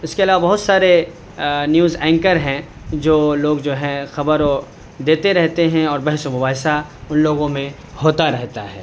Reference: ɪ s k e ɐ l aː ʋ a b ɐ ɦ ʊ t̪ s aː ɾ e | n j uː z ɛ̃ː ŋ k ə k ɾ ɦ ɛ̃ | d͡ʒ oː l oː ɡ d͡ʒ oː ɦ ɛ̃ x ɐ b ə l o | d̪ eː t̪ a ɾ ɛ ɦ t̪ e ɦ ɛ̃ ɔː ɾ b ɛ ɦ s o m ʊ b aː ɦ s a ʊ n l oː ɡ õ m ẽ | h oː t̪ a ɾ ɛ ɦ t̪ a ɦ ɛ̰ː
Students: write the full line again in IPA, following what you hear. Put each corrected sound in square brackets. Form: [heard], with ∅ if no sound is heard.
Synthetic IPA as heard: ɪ s k e ɐ l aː ʋ a b ɐ ɦ ʊ t̪ s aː ɾ e | n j uː z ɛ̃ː ŋ k ə [∅] ɾ ɦ ɛ̃ | d͡ʒ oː l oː ɡ d͡ʒ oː ɦ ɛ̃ x ɐ b ə [ɾ] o | d̪ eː t̪ [e] ɾ ɛ ɦ t̪ e ɦ ɛ̃ ɔː ɾ b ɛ ɦ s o m ʊ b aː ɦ s a ʊ n l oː ɡ õ m ẽ | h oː t̪ a ɾ ɛ ɦ t̪ a ɦ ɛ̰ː